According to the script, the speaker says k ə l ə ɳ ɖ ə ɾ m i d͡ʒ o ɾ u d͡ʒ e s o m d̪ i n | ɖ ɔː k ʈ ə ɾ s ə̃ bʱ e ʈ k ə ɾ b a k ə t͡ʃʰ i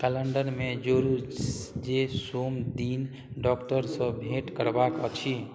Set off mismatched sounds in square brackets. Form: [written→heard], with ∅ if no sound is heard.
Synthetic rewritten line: k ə l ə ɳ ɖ ə ɾ m [i→e] d͡ʒ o ɾ u d͡ʒ e s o m d̪ i n | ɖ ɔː k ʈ ə ɾ s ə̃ bʱ e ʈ k ə ɾ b a k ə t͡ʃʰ i